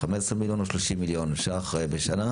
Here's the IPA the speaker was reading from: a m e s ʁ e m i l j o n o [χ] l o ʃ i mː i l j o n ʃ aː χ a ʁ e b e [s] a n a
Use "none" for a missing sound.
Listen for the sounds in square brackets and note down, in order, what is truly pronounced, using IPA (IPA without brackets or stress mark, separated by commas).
ʃ, ʃ